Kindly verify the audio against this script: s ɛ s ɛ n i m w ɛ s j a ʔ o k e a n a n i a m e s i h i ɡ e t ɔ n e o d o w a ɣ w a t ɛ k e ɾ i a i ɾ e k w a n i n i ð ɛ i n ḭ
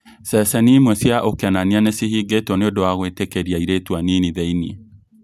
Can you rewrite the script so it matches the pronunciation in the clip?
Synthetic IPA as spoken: s ɛ s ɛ n i m w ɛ s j a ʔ o k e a n a n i a n e s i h i ɡ e t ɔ n e o d o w a ɣ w e t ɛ k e ɾ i a i ɾ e t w a n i n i ð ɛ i n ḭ